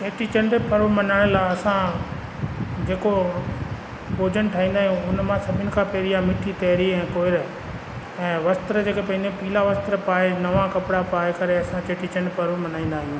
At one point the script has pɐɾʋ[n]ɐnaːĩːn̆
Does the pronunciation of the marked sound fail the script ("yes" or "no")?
yes